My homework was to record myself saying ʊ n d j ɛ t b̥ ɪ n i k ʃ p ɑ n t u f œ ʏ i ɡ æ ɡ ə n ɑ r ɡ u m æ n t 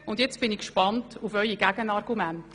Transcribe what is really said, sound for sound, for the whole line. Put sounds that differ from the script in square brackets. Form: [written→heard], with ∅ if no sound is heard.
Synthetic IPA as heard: ʊ n d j ɛ [t→t͡s] b̥ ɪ n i k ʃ p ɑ n t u f œ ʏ i ɡ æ ɡ ə n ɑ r ɡ u m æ n t